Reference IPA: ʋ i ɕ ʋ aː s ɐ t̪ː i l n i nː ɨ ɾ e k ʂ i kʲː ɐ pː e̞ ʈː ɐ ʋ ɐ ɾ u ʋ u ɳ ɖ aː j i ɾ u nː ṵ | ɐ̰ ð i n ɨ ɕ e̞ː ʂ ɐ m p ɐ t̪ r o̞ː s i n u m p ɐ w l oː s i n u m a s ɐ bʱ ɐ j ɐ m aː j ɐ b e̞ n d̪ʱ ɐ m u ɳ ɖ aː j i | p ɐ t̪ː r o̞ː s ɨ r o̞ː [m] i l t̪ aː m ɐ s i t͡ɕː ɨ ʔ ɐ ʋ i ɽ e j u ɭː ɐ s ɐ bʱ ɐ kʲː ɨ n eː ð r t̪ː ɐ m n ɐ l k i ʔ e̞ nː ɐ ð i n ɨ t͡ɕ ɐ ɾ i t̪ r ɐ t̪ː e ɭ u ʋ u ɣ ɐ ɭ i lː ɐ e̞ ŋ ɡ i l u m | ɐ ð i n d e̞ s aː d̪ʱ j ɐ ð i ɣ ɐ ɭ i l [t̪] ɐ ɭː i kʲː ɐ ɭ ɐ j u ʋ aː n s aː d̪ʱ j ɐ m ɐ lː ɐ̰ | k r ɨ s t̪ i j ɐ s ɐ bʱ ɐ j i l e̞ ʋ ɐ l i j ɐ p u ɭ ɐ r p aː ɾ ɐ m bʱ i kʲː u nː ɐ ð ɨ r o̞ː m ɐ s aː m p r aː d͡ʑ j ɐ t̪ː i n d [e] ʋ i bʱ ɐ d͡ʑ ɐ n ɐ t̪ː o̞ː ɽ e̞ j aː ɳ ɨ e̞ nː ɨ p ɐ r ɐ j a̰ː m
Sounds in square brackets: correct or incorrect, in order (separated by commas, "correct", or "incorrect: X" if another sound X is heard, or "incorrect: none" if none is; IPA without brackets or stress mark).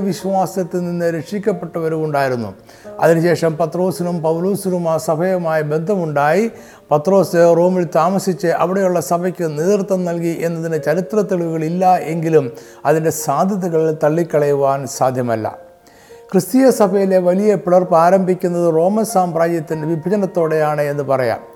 correct, correct, correct